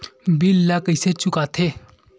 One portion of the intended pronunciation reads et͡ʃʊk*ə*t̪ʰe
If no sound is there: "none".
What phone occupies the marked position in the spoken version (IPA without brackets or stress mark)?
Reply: a